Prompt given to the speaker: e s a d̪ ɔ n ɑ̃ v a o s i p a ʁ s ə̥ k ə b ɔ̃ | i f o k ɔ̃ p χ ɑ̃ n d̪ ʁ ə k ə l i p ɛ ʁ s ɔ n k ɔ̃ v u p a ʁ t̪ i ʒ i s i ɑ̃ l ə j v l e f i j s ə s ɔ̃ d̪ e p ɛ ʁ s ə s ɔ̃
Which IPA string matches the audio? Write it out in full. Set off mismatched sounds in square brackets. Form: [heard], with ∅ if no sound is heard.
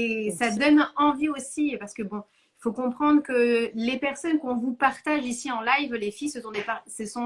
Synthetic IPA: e s a d̪ ɔ n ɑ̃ v [i] o s i p a ʁ s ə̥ k ə b ɔ̃ | i f o k ɔ̃ p χ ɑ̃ [∅] d̪ ʁ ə k ə l [e] p ɛ ʁ s ɔ n k ɔ̃ v u p a ʁ t̪ [a] ʒ i s i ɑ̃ l [a] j v l e f i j s ə s ɔ̃ d̪ e p [a] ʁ s ə s ɔ̃